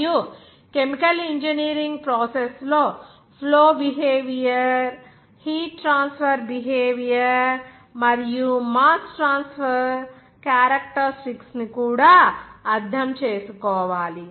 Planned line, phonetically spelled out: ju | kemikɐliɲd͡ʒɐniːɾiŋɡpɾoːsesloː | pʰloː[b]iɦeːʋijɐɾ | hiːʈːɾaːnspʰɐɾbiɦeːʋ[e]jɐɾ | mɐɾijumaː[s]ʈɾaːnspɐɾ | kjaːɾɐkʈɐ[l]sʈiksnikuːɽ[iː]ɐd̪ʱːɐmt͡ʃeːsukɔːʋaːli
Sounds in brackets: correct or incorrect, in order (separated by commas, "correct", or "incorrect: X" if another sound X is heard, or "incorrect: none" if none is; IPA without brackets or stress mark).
correct, incorrect: i, correct, incorrect: ɾ, incorrect: aː